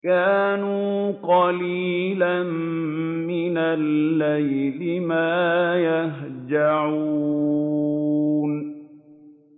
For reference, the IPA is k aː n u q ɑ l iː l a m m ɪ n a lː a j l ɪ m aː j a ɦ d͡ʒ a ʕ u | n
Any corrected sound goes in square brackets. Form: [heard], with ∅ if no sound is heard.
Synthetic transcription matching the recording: k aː n [uː] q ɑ l iː l a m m ɪ n a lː a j l ɪ m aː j a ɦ d͡ʒ a ʕ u | n